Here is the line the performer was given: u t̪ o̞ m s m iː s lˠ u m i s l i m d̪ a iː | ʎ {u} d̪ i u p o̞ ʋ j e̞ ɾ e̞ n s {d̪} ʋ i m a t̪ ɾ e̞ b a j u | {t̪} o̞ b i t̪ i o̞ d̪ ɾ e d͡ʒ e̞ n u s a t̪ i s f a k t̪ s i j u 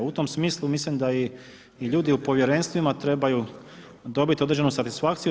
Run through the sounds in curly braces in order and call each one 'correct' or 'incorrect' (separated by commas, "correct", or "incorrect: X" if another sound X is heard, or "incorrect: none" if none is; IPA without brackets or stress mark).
incorrect: uː, incorrect: t̪, incorrect: d̪